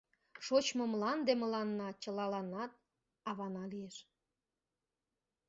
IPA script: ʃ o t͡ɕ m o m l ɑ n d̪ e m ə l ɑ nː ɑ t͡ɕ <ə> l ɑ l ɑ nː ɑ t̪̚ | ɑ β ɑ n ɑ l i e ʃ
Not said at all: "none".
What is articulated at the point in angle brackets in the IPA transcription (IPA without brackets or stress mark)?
ə